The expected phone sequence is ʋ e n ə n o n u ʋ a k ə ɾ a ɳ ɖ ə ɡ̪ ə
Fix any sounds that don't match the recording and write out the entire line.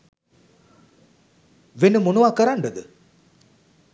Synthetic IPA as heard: ʋ e n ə m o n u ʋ a k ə ɾ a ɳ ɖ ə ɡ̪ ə